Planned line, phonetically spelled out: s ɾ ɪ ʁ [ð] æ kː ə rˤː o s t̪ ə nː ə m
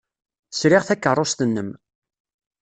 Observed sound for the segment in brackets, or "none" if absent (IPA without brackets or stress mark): θ